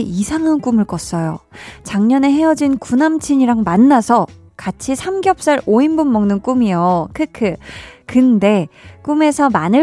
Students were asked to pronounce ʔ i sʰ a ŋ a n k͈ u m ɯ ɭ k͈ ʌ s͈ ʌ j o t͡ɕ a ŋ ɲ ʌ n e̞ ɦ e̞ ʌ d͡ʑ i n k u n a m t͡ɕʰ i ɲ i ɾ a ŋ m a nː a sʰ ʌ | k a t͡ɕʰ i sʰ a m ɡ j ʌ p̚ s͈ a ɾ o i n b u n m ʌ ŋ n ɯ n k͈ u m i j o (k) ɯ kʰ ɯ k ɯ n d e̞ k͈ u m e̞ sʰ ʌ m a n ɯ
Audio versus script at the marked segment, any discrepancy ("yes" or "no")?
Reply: yes